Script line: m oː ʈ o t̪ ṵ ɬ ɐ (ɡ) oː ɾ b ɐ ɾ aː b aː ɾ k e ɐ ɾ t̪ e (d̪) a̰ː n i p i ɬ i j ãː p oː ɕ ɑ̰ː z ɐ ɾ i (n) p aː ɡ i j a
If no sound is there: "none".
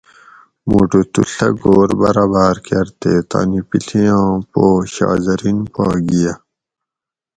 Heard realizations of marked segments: ɡ, t̪, n

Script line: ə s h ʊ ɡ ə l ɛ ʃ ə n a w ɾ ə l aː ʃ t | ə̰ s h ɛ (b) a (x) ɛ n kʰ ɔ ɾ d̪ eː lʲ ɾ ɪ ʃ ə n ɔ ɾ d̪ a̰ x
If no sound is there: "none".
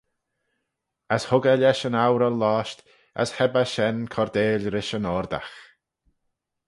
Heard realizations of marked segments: b, ʃ

